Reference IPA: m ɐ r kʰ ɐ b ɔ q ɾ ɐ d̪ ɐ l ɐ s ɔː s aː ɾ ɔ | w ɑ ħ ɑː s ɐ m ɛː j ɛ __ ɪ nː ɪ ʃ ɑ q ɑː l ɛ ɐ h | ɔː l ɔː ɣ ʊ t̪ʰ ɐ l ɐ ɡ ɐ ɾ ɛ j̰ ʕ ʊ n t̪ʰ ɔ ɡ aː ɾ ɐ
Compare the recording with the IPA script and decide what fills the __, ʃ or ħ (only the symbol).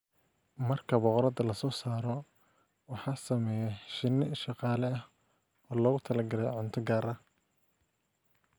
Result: ʃ